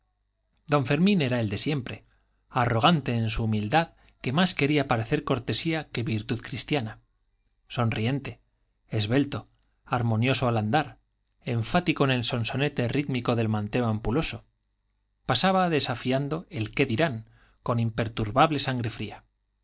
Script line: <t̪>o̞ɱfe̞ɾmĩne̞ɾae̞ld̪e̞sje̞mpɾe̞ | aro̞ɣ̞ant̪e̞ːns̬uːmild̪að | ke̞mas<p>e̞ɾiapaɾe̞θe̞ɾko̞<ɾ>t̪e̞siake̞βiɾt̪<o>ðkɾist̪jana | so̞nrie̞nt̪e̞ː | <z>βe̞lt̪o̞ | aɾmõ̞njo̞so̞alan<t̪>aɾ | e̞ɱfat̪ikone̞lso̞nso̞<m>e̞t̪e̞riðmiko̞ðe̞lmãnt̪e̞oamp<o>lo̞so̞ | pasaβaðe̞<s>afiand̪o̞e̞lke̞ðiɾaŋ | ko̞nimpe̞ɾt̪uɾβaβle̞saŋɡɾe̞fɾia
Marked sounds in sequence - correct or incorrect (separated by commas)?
incorrect, incorrect, correct, incorrect, correct, incorrect, incorrect, incorrect, correct